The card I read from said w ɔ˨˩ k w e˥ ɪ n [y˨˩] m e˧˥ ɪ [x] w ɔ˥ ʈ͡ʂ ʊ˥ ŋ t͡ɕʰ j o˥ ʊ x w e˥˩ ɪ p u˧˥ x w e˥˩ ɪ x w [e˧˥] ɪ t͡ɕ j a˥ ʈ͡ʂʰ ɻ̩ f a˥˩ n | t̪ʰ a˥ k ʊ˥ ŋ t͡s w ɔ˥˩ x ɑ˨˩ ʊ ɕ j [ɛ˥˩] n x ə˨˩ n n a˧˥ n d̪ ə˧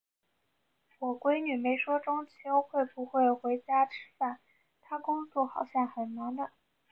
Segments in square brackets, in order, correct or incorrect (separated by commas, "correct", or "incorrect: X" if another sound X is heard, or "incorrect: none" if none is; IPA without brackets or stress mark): correct, incorrect: ʂ, correct, correct